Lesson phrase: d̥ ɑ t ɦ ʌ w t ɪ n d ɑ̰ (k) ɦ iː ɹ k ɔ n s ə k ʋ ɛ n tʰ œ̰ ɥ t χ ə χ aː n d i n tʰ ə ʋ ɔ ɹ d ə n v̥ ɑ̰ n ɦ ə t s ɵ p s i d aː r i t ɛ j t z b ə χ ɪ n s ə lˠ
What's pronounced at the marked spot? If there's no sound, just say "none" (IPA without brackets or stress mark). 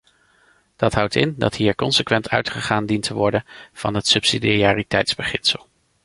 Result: t